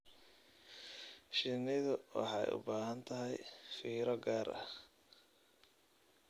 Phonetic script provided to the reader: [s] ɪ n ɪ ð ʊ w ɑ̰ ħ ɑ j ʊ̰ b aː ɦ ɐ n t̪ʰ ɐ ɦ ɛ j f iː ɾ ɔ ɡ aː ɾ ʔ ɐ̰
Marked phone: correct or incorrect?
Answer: incorrect